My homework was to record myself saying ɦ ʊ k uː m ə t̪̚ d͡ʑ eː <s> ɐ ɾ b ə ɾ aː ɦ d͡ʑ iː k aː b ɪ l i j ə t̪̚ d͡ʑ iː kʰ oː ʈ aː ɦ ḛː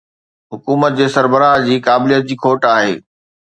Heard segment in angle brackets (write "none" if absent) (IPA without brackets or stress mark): s